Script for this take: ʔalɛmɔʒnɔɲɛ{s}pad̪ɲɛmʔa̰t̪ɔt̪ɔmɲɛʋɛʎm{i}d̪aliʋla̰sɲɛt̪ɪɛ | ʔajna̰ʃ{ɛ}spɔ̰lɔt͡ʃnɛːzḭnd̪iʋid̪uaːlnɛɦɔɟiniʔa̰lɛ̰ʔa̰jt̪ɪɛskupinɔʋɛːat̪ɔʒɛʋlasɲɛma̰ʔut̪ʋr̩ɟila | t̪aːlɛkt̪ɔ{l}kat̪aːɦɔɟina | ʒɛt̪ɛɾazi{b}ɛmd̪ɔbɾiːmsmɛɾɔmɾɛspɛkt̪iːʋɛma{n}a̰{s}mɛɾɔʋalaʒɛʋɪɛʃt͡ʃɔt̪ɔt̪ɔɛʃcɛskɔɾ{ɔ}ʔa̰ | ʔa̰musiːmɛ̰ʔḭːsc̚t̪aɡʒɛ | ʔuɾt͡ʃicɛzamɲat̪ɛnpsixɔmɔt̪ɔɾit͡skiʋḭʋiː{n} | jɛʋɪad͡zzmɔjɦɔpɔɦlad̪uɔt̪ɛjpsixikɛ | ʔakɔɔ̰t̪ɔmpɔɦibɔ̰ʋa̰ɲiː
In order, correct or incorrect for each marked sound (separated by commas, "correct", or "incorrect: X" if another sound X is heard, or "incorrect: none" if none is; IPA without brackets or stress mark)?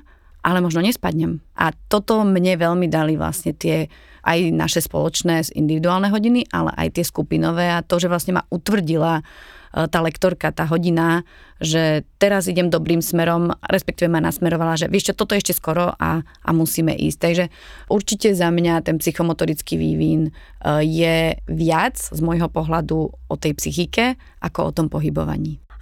correct, correct, correct, incorrect: ɾ, incorrect: ɟ, correct, correct, correct, correct